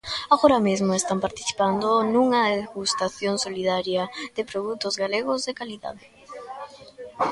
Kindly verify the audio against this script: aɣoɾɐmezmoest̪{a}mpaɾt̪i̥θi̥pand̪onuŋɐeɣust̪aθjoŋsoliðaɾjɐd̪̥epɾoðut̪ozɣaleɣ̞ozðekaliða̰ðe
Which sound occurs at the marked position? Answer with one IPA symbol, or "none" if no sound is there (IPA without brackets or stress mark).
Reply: a